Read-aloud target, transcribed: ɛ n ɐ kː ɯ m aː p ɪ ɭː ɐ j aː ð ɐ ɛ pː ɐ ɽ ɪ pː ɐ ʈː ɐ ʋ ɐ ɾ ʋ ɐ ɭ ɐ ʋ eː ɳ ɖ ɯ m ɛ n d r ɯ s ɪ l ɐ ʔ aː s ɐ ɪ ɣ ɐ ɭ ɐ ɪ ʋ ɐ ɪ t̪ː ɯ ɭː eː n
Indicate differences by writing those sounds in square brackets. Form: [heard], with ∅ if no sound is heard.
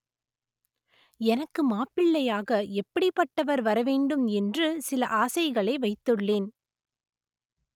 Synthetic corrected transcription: ɛ n ɐ kː ɯ m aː p ɪ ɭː ɐ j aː [ɣ] ɐ ɛ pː ɐ ɽ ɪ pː ɐ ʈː ɐ ʋ ɐ ɾ ʋ ɐ [ɾ] ɐ ʋ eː ɳ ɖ ɯ m ɛ n d r ɯ s ɪ l ɐ ʔ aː s ɐ ɪ ɣ ɐ ɭ ɐ ɪ ʋ ɐ ɪ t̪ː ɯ ɭː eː n

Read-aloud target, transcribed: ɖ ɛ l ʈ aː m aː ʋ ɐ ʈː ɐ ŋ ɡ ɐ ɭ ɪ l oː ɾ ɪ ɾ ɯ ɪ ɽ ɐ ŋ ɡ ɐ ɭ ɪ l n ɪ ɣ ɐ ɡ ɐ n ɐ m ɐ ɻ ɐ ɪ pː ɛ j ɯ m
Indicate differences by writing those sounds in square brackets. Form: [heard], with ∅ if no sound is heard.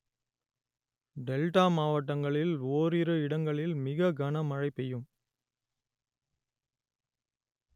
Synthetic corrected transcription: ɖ ɛ l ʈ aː m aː ʋ ɐ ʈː ɐ ŋ ɡ ɐ ɭ ɪ l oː ɾ ɪ ɾ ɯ ɪ ɽ ɐ ŋ ɡ ɐ ɭ ɪ l [m] ɪ ɣ ɐ ɡ ɐ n ɐ m ɐ ɻ ɐ ɪ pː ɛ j ɯ m

